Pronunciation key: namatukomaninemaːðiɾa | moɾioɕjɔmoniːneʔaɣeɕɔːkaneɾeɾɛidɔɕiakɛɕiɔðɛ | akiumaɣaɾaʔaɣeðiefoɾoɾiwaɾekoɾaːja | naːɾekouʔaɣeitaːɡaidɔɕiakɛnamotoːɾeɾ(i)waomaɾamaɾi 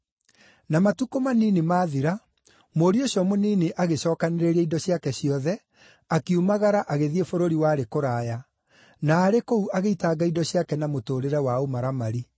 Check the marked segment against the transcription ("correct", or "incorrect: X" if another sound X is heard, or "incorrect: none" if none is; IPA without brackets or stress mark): incorrect: ɛ